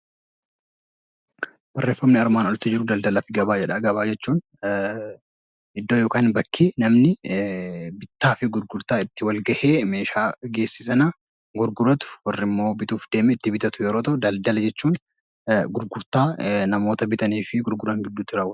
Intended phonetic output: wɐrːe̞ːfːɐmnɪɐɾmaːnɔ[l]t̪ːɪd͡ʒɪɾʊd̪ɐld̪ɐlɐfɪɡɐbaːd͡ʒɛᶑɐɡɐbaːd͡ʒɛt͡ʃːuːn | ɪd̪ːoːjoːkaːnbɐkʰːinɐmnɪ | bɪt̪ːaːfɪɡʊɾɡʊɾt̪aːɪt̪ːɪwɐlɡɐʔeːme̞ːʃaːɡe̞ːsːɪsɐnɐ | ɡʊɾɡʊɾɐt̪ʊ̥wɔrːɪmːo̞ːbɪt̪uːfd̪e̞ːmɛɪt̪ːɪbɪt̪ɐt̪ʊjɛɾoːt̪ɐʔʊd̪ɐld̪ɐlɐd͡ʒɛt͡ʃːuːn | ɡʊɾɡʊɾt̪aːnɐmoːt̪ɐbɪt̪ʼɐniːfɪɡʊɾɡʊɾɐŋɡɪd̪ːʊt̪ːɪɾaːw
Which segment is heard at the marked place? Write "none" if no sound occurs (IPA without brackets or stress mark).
l